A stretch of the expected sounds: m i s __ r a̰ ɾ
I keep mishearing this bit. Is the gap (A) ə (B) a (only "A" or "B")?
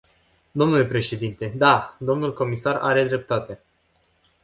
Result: B